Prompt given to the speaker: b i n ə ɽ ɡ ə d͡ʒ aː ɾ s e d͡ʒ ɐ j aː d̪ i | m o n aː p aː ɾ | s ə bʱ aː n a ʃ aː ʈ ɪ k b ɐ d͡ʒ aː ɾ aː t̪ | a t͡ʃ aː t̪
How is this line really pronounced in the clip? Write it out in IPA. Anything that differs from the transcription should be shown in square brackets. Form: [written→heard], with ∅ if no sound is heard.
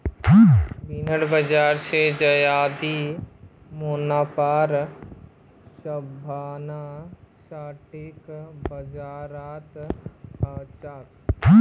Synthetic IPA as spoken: b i n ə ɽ [ɡ→b] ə d͡ʒ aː ɾ s e d͡ʒ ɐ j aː d̪ i | m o n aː p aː ɾ | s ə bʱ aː n a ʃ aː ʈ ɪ k b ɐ d͡ʒ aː ɾ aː t̪ | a t͡ʃ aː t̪